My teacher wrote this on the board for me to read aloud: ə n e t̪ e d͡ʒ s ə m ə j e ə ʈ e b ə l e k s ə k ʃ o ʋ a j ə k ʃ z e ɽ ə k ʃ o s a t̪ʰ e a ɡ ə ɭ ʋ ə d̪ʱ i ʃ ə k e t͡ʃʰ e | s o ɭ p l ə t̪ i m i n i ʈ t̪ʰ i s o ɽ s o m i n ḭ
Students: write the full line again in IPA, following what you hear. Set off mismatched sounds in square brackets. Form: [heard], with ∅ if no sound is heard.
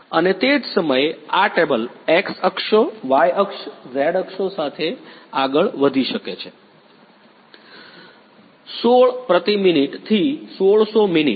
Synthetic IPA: ə n e t̪ e d͡ʒ s ə m ə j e [a] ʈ e b ə l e k s ə k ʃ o ʋ a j ə k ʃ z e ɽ ə k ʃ o s a t̪ʰ e a ɡ ə ɭ ʋ ə d̪ʱ i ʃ ə k e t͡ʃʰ e | s o ɭ p [ɾ] ə t̪ i m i n i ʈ t̪ʰ i s o [ɭ] s o m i n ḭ